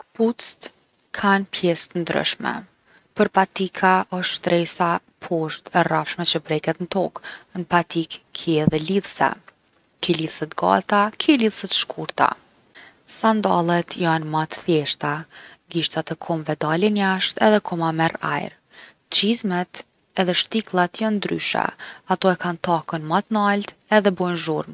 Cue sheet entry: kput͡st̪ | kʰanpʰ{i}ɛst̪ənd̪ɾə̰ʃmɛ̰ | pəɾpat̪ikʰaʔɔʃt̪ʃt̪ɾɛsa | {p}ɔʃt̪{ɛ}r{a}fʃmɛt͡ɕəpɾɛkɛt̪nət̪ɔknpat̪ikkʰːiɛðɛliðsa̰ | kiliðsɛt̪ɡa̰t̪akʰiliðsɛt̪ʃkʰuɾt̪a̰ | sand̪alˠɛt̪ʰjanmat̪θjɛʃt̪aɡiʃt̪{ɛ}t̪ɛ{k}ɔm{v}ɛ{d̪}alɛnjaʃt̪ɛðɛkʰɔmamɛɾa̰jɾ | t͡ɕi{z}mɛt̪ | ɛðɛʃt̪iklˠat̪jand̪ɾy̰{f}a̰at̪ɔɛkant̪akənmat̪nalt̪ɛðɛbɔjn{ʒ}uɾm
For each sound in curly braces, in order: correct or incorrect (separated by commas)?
incorrect, incorrect, correct, correct, incorrect, incorrect, correct, correct, correct, incorrect, correct